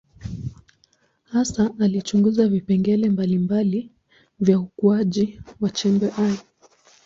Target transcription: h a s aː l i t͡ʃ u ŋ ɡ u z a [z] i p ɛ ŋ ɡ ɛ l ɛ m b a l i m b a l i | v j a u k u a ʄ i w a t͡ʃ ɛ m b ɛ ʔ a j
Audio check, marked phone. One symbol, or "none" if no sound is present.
v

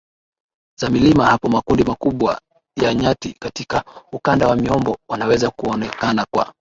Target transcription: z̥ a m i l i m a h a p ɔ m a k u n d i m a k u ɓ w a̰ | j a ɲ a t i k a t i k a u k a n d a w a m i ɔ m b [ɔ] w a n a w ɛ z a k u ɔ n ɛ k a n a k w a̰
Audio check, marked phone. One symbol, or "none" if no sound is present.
ɔ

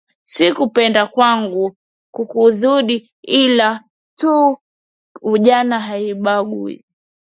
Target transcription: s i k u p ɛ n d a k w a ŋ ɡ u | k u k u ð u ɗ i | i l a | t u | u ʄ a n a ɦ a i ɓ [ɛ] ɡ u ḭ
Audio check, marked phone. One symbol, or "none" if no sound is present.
a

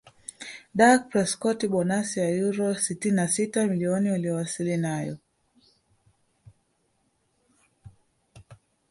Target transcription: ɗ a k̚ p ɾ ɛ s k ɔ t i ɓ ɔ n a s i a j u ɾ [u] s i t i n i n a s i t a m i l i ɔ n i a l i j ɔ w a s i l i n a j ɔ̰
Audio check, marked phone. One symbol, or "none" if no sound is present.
ɔ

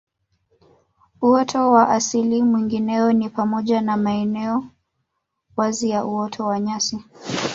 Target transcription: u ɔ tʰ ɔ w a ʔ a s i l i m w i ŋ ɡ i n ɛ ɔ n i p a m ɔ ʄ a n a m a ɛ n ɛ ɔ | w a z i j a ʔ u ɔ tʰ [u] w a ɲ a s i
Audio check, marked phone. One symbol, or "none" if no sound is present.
ɔ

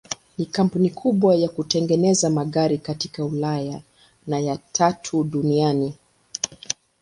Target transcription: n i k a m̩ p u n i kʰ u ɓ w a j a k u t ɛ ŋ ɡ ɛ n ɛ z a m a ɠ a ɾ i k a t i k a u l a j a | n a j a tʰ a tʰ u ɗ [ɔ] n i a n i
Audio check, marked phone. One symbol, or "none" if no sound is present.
u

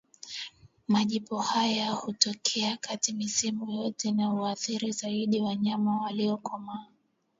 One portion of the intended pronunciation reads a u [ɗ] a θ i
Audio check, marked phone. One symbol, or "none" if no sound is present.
none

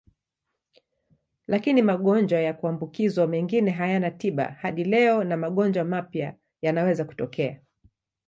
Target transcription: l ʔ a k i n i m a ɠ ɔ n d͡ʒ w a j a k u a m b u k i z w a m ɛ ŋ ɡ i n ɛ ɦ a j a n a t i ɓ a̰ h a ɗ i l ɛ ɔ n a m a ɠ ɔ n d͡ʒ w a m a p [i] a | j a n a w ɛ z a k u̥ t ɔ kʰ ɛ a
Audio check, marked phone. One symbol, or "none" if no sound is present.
j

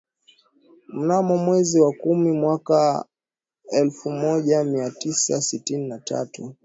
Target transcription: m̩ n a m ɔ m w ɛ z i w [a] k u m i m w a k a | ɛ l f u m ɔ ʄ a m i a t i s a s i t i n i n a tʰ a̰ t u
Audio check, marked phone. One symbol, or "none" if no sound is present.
a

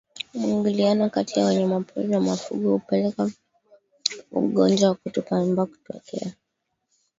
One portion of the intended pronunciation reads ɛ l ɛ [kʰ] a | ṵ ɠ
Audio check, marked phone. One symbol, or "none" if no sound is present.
k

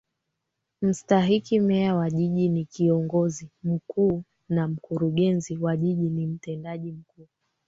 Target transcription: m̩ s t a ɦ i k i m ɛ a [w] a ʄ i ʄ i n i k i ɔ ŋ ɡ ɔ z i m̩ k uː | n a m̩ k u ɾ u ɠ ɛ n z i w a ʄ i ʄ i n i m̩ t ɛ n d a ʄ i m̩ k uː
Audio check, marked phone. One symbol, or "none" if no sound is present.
w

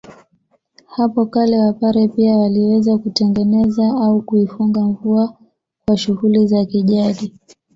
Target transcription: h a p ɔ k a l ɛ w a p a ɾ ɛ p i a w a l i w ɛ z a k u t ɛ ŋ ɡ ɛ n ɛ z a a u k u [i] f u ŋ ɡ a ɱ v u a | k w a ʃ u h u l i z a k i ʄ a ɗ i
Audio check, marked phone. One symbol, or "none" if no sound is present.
i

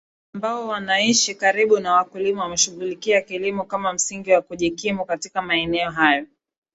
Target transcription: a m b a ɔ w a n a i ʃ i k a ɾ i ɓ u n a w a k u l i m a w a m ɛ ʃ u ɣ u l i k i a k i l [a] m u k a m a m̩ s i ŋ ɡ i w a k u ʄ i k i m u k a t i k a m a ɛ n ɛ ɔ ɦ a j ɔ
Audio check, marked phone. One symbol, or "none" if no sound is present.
i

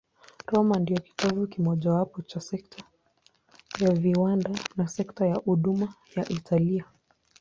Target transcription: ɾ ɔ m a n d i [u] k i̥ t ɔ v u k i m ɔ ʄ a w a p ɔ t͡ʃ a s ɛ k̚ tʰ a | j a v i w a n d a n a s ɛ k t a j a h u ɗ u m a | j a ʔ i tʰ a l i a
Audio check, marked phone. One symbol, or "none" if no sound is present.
ɔ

